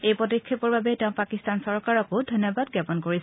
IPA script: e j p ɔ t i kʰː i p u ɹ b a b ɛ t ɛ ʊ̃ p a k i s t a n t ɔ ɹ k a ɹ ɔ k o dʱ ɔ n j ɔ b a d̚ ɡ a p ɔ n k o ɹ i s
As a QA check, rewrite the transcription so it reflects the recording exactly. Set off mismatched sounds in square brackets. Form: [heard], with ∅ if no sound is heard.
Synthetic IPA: e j p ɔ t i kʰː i p [ɔ] ɹ b a b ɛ t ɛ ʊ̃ p a k i s t a n [s] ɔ ɹ k a ɹ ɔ k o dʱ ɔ n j ɔ b a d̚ ɡ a p ɔ n k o ɹ i s